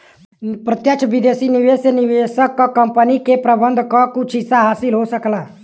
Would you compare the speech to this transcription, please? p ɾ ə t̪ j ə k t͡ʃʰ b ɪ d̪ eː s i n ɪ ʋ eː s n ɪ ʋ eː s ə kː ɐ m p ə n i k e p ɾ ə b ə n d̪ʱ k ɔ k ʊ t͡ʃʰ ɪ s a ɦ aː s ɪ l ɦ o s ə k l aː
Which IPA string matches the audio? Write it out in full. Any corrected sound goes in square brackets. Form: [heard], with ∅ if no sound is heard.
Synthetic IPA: p ɾ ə t̪ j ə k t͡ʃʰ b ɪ d̪ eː s i n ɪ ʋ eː s n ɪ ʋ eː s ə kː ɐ m p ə n i k e p ɾ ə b ə n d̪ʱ k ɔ k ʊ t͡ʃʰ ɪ s a ɦ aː s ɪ l ɦ o s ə k l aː